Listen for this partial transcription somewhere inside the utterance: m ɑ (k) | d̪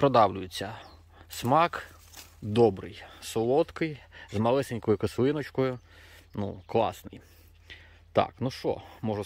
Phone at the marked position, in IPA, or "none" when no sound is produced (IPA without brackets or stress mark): k